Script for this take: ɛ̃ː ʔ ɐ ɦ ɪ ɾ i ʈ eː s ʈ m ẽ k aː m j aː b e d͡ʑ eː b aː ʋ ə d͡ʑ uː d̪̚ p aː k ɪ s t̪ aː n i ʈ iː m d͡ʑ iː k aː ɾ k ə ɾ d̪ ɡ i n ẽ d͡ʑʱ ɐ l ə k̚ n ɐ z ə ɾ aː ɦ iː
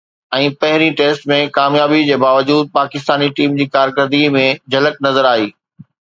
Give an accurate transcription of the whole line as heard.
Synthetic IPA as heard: ɛ̃ː p ɐ ɦ ɪ ɾ i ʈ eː s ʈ m ẽ k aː m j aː b i d͡ʑ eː b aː ʋ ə d͡ʑ uː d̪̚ p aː k ɪ s t̪ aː n i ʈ iː m d͡ʑ iː k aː ɾ k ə ɾ d̪ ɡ i m ẽ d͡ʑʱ ɐ l ə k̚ n ɐ z ə ɾ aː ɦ iː